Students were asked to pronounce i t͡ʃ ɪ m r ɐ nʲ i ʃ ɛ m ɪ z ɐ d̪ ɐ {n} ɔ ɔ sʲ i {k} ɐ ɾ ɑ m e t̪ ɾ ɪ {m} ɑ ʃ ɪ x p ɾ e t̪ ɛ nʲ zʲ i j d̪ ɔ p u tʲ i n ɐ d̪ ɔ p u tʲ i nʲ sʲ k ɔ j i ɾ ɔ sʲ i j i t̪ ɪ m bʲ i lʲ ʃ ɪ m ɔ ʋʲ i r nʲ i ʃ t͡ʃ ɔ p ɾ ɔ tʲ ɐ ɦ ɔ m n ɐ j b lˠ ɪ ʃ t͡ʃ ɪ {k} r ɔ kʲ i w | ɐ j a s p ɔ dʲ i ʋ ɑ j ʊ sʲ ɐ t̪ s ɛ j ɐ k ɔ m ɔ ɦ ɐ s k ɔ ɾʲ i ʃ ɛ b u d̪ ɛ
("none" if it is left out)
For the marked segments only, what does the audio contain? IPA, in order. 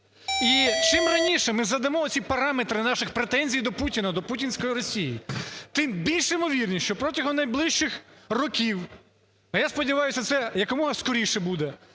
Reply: m, p, n, x

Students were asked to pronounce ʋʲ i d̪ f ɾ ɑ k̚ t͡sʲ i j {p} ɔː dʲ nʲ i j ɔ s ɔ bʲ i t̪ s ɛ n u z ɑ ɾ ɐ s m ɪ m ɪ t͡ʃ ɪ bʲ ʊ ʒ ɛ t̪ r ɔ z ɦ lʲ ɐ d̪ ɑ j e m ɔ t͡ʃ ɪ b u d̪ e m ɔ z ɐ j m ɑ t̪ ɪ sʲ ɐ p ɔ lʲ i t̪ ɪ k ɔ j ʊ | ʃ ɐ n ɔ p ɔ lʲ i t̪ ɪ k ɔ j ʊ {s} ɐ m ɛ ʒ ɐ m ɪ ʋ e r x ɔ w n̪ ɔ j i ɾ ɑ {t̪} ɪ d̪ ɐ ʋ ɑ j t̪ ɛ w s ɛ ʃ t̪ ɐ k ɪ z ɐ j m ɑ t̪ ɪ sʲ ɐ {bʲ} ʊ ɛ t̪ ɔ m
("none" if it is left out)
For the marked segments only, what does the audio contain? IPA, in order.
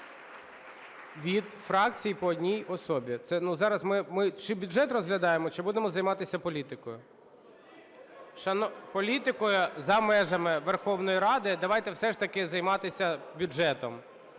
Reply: p, z, d̪, bʲ

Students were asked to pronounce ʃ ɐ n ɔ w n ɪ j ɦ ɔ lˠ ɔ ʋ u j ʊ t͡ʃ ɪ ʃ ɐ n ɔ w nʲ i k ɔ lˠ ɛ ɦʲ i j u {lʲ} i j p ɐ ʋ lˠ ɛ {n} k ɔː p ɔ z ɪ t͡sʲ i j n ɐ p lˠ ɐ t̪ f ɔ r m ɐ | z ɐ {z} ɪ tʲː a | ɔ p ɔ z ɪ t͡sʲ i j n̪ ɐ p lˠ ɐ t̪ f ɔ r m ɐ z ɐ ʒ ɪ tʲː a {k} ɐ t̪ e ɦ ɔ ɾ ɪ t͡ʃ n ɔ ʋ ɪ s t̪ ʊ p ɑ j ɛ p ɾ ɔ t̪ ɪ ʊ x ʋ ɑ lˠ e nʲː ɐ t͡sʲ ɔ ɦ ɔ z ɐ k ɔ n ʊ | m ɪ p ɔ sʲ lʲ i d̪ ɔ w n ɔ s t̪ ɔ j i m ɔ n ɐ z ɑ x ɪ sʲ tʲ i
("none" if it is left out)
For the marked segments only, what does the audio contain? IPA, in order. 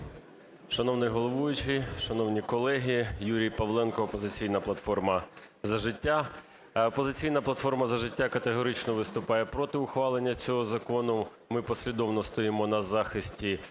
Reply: ɾʲ, n, ʒ, k

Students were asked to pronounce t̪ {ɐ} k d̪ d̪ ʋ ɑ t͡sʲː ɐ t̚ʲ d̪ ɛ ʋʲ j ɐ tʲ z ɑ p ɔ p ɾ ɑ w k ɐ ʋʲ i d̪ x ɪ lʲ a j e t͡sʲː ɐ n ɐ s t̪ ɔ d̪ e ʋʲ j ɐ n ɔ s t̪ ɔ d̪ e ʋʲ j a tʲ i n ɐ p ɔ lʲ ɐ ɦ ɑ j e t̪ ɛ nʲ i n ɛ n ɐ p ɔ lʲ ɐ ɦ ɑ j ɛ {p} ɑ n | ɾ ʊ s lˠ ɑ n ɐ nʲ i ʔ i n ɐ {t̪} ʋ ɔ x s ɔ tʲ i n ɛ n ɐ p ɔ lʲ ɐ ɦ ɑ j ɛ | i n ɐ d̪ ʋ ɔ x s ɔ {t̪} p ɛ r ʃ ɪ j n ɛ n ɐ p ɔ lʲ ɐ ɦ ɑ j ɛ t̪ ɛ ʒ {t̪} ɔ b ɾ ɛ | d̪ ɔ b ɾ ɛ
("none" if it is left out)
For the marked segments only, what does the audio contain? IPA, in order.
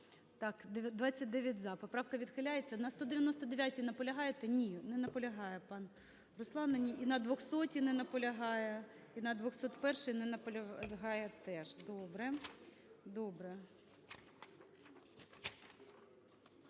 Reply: ɑ, p, d̪, t̪, d̪

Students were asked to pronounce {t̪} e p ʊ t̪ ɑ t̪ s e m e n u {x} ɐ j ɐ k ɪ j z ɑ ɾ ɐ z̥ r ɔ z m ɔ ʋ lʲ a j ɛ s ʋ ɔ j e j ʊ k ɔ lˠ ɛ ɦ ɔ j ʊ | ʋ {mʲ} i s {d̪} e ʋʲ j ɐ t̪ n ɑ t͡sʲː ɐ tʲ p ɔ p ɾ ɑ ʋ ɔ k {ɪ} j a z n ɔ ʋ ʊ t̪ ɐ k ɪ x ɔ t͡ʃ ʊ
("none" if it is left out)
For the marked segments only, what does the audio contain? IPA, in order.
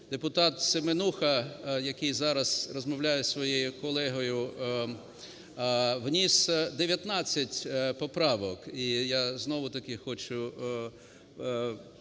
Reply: d̪, x, nʲ, d̪, i

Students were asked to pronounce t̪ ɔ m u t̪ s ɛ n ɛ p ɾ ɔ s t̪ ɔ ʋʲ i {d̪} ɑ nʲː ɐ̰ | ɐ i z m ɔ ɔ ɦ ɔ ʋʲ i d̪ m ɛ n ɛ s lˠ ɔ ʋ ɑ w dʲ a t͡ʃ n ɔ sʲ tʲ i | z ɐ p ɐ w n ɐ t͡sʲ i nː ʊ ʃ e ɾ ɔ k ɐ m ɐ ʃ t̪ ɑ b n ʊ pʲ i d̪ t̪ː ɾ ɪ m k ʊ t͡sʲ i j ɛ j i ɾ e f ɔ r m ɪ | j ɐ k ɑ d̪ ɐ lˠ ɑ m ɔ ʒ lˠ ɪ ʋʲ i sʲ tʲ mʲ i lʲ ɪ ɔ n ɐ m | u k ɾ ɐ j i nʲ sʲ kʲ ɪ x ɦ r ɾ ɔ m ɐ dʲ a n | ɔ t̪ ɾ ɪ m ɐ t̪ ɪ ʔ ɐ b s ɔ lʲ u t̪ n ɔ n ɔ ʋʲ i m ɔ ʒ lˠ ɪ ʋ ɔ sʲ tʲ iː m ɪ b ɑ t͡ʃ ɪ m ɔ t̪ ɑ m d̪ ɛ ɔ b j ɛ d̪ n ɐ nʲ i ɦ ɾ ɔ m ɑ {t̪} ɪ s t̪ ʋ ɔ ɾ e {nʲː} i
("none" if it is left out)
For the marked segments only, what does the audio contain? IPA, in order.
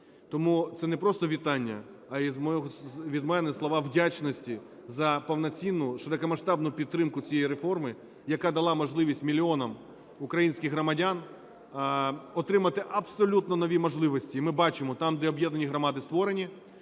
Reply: t̪, d̪, nʲ

